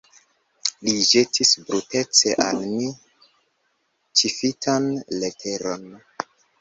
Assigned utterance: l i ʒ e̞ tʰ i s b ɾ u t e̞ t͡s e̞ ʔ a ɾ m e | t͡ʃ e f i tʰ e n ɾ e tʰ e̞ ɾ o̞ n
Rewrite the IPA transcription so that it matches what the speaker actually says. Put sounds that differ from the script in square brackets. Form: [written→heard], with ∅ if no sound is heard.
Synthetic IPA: l i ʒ e̞ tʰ i s b ɾ u t e̞ t͡s e̞ ʔ a [ɾ→l] m [e→i] | t͡ʃ [e→i] f i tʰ [e→a] n [ɾ→l] e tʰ e̞ ɾ o̞ n